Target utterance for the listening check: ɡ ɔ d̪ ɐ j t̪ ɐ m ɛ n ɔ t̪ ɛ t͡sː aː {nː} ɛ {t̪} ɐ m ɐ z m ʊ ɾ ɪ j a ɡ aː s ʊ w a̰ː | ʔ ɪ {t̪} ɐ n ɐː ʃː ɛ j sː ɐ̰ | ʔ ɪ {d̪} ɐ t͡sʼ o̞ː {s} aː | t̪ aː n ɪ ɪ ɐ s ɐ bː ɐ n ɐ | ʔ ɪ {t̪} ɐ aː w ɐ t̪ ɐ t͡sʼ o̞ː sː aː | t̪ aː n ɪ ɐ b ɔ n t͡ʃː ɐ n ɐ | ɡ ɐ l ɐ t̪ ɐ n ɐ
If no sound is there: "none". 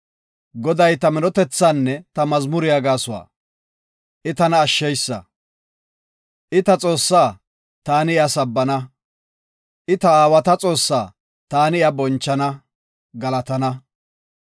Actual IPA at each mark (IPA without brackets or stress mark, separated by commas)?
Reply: nː, t̪, t̪, t̪, sː, t̪